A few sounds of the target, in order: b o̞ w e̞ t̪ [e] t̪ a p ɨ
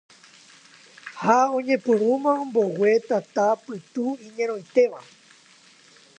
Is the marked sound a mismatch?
yes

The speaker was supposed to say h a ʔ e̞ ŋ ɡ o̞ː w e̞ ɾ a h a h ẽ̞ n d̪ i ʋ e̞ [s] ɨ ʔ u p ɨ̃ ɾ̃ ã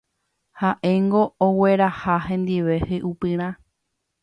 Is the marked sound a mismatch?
yes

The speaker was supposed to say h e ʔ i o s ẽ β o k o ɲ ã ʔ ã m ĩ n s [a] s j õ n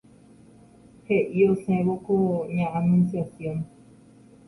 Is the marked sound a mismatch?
no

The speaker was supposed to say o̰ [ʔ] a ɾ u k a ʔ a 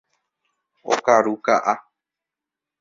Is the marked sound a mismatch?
yes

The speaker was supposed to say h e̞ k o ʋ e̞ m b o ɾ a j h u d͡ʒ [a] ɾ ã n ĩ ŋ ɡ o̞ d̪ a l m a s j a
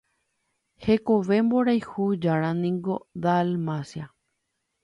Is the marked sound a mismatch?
no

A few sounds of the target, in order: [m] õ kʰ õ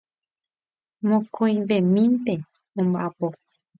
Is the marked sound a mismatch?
no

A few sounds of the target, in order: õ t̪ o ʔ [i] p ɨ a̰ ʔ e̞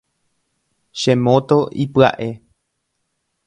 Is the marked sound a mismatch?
no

